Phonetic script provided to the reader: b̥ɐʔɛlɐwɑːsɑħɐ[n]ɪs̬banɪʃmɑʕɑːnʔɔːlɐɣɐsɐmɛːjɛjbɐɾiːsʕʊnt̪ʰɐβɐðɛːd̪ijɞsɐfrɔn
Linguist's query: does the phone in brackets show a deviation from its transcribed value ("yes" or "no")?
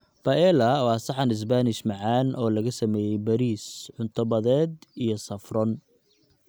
no